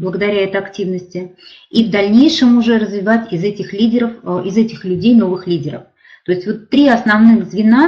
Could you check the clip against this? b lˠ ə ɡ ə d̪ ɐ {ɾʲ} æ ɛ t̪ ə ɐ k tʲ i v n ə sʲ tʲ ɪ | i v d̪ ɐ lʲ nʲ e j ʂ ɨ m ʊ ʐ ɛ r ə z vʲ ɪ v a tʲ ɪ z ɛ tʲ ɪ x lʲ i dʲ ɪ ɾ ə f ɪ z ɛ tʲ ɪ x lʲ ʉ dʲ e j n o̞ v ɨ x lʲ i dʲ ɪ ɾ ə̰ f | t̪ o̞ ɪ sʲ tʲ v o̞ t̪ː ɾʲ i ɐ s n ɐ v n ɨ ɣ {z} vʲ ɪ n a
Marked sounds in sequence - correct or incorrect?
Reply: correct, correct

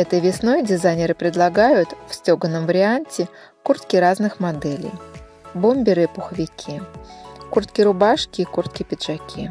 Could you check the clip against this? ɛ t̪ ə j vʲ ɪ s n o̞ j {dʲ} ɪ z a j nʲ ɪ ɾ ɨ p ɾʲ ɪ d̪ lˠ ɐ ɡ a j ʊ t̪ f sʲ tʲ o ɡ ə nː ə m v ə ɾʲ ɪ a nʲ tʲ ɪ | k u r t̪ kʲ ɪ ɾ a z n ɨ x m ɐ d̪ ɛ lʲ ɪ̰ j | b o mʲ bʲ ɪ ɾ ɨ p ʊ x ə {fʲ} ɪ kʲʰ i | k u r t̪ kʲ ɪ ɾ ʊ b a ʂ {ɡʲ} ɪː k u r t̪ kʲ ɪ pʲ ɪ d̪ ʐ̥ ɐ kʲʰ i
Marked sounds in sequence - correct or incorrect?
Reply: correct, incorrect: vʲ, incorrect: kʲ

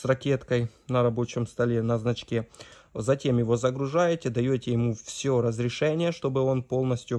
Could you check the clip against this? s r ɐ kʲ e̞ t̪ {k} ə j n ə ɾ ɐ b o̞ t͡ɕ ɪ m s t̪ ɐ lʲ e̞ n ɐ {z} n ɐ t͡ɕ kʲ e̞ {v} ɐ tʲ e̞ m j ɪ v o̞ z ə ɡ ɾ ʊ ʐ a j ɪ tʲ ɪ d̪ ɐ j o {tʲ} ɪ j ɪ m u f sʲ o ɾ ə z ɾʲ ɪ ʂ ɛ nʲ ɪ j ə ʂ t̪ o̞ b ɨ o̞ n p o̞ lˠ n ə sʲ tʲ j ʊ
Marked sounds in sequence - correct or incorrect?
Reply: correct, correct, incorrect: z, correct

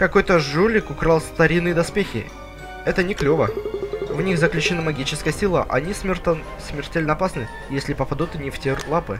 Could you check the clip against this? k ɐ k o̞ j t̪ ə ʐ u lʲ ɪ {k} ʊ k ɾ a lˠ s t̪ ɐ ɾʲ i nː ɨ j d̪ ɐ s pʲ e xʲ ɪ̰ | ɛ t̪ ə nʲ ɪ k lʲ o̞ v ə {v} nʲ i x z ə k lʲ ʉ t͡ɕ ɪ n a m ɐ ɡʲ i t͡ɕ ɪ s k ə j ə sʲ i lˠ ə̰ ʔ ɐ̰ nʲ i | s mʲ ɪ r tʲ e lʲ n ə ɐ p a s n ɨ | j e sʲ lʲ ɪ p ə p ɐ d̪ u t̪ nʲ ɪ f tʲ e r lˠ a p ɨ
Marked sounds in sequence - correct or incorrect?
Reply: correct, correct

